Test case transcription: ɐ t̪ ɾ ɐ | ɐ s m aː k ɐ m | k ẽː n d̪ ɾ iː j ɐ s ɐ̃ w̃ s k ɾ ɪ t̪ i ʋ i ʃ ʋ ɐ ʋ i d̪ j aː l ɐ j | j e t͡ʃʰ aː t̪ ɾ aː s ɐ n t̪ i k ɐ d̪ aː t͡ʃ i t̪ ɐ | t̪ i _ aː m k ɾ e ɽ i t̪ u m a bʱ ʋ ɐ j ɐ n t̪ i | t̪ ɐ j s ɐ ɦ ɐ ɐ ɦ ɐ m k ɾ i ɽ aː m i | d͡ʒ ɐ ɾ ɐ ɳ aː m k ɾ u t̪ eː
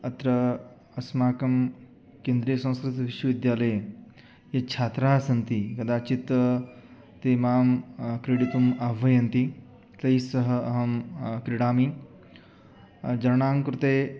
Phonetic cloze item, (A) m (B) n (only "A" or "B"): A